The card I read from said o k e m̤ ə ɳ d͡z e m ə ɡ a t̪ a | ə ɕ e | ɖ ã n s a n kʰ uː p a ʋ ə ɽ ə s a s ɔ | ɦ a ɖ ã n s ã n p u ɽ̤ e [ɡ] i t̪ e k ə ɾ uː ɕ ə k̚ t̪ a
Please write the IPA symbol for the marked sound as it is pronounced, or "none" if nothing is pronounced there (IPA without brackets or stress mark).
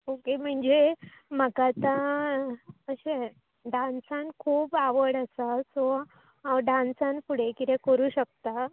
k